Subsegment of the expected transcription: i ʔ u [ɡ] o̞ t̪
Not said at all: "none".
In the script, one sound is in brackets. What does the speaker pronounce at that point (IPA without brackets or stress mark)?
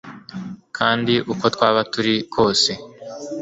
k